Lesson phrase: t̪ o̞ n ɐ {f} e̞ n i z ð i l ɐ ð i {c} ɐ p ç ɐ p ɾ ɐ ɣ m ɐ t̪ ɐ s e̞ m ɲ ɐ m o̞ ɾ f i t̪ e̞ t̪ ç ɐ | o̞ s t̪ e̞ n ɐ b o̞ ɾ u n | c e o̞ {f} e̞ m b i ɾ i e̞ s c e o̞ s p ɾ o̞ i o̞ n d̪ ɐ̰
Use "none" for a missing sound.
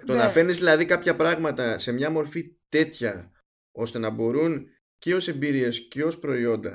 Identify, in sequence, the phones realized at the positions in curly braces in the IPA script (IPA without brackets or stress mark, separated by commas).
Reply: f, k, s